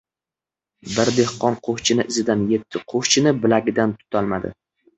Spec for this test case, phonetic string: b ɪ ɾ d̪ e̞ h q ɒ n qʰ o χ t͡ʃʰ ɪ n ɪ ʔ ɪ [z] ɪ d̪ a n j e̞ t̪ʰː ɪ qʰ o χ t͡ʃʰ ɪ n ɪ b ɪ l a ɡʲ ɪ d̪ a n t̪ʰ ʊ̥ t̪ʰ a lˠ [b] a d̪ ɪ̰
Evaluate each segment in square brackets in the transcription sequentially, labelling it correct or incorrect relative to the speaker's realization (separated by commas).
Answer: correct, incorrect